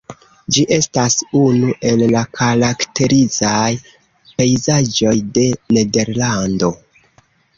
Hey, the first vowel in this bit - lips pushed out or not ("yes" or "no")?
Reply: no